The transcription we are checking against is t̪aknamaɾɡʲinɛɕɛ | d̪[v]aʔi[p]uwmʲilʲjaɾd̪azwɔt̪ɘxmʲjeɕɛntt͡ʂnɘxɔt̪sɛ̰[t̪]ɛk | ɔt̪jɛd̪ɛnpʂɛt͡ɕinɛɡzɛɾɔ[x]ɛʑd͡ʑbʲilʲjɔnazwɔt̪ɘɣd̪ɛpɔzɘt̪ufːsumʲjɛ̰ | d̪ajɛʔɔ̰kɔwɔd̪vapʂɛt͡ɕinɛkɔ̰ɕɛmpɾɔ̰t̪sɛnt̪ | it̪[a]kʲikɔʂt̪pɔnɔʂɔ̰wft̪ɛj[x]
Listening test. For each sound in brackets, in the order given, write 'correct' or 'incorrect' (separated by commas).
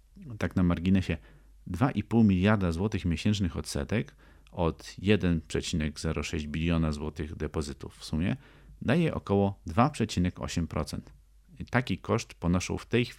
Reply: correct, correct, correct, incorrect, correct, correct